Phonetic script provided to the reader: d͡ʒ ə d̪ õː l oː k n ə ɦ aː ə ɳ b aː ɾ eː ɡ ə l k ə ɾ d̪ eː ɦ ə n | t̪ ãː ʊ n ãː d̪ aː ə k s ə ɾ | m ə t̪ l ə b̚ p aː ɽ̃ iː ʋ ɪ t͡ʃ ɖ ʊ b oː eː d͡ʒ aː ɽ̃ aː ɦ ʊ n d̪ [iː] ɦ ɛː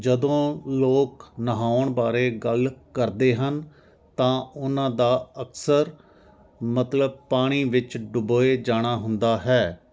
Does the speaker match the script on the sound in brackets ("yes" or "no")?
no